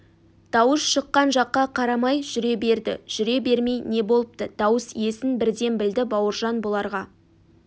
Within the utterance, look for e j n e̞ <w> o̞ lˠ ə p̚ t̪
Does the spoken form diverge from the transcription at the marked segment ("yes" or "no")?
yes